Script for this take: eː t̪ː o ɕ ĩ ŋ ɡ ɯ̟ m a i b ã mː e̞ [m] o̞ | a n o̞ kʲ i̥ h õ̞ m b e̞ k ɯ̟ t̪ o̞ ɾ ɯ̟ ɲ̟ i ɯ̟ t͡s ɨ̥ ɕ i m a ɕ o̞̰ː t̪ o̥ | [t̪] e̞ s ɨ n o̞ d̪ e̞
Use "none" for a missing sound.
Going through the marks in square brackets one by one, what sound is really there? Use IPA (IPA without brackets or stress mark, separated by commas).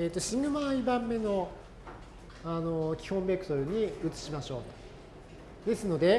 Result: n, d̪